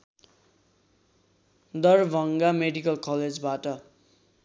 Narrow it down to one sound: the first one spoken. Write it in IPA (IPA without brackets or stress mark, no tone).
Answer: d̪